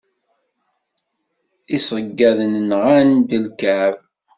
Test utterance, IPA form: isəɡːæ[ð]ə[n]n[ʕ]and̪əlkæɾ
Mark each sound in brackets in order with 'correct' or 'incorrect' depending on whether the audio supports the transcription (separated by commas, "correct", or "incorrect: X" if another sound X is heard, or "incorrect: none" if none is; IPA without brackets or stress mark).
correct, correct, incorrect: ʁ